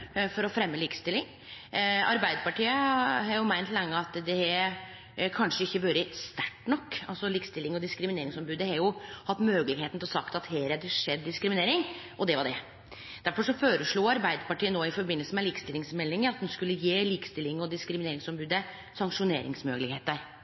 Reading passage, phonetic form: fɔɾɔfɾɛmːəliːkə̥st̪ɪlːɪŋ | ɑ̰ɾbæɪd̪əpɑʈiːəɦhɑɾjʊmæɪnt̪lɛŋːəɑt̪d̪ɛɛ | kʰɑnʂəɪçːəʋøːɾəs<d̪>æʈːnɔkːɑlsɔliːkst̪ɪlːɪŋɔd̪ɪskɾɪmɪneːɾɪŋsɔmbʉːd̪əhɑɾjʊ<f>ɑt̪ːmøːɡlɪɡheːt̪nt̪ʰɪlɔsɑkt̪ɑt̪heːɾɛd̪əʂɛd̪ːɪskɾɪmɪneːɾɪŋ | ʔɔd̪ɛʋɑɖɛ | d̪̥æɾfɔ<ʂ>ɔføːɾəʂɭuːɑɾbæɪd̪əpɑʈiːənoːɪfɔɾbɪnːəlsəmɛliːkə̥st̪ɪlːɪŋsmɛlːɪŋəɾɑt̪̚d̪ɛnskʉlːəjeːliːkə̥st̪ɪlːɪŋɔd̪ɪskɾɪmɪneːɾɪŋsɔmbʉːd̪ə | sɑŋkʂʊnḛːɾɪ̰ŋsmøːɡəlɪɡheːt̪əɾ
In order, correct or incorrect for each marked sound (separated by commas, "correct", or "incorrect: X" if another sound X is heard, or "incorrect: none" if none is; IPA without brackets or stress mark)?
incorrect: t̪, incorrect: h, correct